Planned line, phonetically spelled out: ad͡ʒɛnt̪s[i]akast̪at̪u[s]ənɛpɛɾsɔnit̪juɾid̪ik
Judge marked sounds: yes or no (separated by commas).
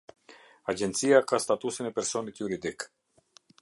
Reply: yes, yes